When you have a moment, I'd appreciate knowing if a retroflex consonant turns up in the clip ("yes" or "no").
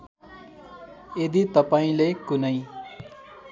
no